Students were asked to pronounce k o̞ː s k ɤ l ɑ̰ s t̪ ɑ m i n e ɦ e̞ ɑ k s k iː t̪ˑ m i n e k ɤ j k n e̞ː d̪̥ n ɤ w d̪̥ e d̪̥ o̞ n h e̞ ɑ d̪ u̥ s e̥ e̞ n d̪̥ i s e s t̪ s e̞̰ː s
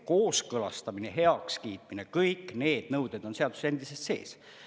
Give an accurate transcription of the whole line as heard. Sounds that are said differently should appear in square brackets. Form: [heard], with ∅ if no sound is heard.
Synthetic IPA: k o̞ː s k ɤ l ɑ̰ s t̪ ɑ m i n e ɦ e̞ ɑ k s k iː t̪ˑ m i n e k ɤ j k n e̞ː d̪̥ n ɤ w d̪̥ e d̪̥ o̞ n [s] e̞ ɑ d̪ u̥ s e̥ e̞ n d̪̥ i s e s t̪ s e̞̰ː s